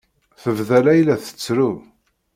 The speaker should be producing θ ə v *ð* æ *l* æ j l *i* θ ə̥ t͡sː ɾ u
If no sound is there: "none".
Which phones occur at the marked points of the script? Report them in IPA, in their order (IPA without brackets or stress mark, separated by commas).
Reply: ð, l, æ